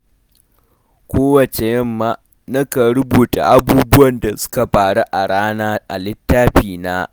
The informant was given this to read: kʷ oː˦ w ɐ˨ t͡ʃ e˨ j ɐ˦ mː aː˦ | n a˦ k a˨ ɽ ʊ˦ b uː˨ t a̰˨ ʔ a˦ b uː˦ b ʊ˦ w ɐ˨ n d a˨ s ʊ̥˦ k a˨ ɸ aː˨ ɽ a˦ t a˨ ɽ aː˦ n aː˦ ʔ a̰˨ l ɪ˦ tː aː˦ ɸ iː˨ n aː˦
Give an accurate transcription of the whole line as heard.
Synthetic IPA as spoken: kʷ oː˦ w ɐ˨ t͡ʃ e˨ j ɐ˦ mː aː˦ | n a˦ k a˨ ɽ ʊ˦ b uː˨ t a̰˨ ʔ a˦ b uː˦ b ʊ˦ w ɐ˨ n d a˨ s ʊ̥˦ k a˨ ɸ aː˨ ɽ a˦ ʔ a˨ ɽ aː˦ n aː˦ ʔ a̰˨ l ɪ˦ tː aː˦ ɸ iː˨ n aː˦